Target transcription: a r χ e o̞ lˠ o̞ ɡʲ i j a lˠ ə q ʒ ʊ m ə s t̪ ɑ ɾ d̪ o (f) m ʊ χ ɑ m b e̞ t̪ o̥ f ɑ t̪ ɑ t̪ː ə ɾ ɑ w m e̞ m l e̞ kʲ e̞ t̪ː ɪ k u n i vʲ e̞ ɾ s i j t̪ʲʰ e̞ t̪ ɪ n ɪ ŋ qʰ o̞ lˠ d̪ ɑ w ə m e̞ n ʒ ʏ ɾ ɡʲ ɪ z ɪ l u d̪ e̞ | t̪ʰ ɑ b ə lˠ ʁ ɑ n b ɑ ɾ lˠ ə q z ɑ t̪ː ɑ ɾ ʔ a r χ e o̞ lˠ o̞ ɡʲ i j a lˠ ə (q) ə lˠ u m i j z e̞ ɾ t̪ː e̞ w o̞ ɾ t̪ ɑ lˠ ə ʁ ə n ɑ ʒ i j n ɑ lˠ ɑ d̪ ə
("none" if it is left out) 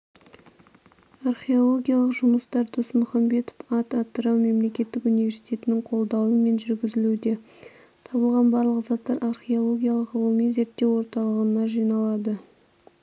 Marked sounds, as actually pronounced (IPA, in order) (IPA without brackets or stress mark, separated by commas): s, q